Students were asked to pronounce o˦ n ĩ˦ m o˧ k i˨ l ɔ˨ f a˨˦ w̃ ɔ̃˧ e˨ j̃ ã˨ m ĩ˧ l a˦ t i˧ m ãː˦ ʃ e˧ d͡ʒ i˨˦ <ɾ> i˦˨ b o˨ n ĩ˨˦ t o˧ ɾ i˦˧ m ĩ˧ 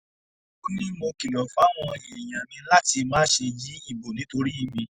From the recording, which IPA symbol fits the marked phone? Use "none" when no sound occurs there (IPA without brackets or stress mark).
none